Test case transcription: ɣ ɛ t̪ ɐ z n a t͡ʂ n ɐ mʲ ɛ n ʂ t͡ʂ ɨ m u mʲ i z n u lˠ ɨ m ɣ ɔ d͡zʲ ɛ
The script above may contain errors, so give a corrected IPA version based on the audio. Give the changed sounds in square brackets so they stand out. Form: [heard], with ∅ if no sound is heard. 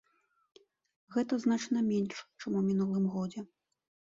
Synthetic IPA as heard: ɣ ɛ t̪ ɐ z n a t͡ʂ n ɐ mʲ ɛ n ʂ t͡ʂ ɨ m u mʲ i [∅] n u lˠ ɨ m ɣ ɔ d͡zʲ ɛ